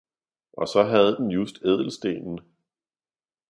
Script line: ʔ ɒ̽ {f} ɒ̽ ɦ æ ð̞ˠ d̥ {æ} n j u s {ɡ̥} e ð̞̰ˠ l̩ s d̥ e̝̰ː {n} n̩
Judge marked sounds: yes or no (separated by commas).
no, no, no, yes